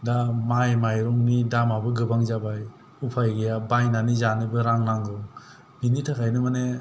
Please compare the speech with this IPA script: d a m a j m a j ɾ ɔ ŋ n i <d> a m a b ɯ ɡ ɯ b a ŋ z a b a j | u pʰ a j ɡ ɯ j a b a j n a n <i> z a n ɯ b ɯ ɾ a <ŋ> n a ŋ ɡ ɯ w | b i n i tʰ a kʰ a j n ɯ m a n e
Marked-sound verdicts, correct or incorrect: correct, correct, correct

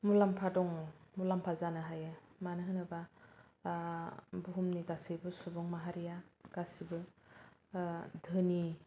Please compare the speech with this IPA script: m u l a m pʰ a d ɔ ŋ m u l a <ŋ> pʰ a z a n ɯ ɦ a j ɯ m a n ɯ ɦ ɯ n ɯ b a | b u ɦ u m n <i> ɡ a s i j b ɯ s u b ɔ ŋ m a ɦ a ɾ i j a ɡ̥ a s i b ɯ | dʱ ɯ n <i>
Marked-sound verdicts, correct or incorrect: incorrect: m, correct, correct

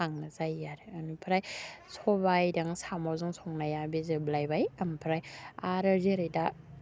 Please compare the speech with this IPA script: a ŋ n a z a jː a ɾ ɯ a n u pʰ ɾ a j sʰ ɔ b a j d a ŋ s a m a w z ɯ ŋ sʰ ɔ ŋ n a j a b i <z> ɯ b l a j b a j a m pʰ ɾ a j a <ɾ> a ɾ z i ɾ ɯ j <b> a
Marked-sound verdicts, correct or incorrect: correct, correct, incorrect: d

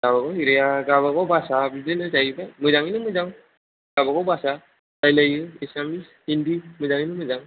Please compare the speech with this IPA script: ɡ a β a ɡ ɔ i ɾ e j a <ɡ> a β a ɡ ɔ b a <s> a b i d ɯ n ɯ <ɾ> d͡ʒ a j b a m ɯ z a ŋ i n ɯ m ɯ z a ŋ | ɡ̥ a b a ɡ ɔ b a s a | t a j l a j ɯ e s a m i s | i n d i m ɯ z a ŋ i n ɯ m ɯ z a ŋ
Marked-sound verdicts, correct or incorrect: correct, correct, incorrect: none

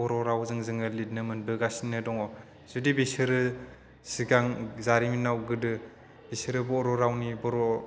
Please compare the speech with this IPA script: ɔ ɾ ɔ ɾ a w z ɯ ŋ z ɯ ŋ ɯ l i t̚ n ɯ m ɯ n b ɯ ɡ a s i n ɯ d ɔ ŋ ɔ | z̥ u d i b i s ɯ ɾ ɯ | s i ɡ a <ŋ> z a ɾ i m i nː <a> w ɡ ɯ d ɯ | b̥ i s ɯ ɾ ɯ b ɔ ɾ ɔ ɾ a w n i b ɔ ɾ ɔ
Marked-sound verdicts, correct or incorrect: correct, correct

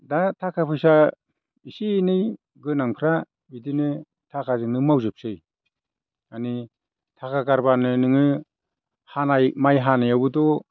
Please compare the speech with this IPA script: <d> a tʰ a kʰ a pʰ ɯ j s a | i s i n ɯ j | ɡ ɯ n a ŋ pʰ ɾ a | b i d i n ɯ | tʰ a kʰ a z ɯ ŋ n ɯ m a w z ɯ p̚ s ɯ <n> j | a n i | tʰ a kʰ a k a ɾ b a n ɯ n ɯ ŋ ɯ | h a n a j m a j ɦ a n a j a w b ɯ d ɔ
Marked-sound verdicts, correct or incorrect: correct, incorrect: none

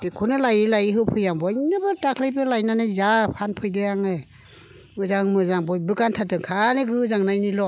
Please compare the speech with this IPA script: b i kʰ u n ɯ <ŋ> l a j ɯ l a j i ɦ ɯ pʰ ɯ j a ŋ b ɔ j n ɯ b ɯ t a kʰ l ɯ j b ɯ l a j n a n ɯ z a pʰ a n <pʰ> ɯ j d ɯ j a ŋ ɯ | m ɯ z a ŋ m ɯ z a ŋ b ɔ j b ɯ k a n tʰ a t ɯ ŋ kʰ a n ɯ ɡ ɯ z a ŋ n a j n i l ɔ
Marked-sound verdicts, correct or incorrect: incorrect: none, correct

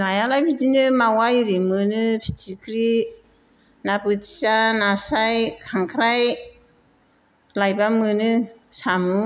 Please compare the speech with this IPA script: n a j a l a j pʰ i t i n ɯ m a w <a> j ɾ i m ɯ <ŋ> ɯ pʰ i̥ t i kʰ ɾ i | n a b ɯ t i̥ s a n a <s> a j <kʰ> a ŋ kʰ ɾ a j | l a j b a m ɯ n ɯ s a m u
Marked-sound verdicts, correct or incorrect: correct, incorrect: n, correct, correct

